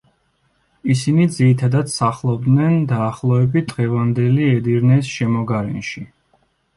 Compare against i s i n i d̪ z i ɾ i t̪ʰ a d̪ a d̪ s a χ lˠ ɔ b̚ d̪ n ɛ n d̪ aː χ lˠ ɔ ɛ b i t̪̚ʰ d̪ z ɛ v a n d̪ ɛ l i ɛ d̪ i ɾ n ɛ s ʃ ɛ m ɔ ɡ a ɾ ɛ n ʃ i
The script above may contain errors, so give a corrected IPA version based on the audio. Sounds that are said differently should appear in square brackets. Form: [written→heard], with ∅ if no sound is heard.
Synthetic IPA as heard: i s i n i d̪ z i ɾ i t̪ʰ a d̪ a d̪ s a χ lˠ ɔ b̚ d̪ n ɛ n d̪ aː χ lˠ ɔ ɛ b i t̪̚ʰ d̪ [z→ʁ] ɛ v a n d̪ ɛ l i ɛ d̪ i ɾ n ɛ s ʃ ɛ m ɔ ɡ a ɾ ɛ n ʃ i